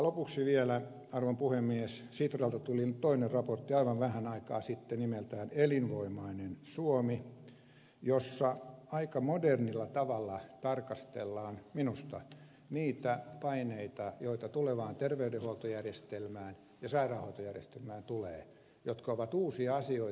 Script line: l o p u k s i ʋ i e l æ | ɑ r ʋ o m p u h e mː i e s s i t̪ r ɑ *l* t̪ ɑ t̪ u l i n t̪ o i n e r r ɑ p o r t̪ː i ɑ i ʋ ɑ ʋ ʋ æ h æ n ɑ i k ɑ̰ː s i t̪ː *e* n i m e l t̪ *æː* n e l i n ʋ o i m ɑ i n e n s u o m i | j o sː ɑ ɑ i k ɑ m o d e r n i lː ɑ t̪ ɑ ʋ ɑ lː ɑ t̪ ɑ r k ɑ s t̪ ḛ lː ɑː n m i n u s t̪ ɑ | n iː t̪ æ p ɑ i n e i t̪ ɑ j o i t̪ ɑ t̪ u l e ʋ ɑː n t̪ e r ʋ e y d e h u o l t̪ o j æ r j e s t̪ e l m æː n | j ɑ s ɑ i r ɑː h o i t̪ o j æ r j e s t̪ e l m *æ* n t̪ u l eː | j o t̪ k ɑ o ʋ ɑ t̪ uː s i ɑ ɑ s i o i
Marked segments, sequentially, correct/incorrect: correct, correct, correct, incorrect

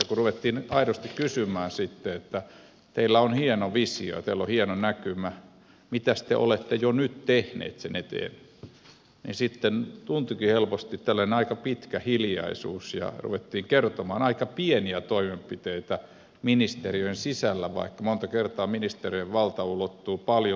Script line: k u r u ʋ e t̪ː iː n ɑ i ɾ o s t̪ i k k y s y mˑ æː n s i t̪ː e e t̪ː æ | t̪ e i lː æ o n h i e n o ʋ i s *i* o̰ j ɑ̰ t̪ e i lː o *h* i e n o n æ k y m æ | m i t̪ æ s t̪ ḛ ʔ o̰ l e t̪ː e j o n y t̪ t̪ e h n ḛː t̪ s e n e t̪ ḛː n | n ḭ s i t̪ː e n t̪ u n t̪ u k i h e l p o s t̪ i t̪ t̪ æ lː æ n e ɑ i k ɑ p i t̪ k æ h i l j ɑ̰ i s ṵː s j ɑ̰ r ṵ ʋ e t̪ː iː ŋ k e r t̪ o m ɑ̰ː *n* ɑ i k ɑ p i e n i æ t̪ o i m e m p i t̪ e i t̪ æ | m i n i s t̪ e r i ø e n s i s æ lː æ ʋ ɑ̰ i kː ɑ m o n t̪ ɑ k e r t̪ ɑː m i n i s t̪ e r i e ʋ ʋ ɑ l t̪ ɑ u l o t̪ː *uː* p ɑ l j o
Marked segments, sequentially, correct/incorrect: correct, correct, correct, correct

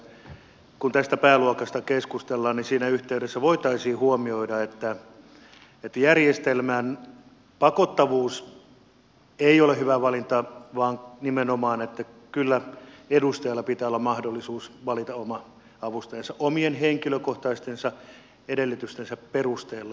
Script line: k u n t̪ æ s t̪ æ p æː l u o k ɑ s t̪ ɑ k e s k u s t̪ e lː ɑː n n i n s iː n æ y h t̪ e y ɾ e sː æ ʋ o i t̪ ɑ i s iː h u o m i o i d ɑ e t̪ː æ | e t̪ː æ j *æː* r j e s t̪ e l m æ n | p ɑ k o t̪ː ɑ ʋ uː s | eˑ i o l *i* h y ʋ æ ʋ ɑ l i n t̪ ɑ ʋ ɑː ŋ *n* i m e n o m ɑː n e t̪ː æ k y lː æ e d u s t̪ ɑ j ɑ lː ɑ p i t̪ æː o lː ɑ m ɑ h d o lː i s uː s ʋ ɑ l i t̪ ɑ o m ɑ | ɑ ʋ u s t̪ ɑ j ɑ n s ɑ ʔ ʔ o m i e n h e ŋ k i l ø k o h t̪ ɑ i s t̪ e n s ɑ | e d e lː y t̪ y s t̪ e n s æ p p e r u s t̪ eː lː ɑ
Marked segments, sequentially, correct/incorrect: incorrect, incorrect, correct

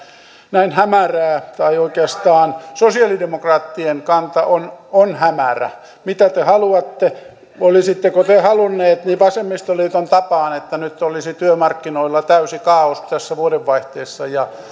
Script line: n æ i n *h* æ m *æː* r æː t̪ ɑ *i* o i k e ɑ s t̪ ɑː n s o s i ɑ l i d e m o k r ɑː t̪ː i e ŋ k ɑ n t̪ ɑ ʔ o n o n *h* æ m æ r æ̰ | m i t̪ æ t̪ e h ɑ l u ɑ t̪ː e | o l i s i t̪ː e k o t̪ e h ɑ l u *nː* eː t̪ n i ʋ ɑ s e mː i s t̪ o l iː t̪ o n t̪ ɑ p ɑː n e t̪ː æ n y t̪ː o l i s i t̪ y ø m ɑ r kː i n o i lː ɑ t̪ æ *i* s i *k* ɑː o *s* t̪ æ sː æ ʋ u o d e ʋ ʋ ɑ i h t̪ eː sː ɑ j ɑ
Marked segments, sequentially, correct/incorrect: correct, incorrect, correct, correct, correct, incorrect, correct, correct

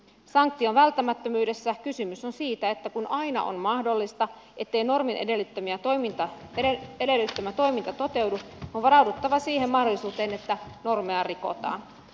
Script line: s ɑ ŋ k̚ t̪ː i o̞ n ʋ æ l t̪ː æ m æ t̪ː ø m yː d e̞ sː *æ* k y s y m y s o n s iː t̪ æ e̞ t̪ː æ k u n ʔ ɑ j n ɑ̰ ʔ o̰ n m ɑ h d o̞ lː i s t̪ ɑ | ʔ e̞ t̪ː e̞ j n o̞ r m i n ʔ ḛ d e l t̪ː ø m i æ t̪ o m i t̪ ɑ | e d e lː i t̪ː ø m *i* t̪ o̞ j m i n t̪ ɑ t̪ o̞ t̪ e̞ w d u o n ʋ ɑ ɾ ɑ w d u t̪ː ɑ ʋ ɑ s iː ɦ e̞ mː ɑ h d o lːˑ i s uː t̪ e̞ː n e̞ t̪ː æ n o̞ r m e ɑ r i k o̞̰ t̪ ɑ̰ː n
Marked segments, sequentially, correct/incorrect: correct, incorrect

